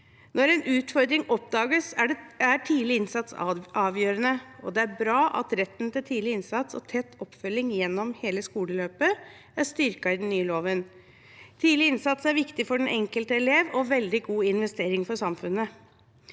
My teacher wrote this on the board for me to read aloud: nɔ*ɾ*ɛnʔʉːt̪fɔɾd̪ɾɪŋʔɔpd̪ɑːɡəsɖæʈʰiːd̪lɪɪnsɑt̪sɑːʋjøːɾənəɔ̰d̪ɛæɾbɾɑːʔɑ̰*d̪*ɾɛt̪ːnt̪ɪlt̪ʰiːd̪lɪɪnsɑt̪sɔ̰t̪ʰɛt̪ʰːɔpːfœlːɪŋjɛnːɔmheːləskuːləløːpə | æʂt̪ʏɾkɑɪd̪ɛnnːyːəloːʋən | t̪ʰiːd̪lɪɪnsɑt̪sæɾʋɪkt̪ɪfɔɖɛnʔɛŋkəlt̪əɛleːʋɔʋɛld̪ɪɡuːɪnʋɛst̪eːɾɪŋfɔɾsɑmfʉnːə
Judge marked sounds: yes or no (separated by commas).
yes, no